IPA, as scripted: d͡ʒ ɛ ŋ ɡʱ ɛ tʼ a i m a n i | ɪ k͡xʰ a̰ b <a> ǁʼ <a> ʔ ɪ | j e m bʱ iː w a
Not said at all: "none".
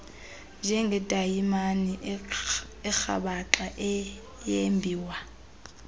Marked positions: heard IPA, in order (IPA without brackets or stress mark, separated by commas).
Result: a, a